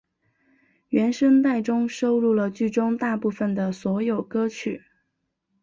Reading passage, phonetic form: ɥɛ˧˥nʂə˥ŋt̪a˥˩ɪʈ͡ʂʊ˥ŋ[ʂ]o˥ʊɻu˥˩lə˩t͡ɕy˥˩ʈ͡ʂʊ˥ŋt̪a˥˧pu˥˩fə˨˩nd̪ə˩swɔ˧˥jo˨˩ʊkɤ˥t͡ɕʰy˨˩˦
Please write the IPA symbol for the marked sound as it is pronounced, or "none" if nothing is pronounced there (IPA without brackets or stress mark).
ʂ